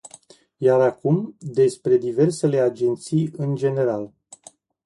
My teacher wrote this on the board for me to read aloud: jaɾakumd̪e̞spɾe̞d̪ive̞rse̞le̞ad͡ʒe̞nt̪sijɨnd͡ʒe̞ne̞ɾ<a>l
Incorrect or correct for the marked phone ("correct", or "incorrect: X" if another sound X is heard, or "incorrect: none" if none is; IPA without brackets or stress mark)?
correct